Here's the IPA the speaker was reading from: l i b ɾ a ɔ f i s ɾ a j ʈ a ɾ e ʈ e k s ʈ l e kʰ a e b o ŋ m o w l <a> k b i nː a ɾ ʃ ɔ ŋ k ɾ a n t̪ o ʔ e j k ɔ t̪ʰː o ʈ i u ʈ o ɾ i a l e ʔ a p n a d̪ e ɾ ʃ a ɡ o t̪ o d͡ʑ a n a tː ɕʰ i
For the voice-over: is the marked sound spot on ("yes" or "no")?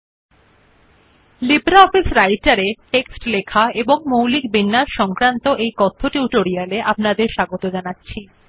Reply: no